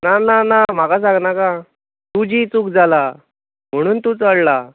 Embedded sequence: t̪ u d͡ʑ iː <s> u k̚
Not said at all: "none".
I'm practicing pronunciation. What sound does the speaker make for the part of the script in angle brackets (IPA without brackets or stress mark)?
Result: t͡s